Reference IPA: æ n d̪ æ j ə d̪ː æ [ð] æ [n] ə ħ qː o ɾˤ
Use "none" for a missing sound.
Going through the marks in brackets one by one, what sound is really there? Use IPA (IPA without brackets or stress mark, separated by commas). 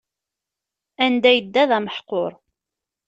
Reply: ð, m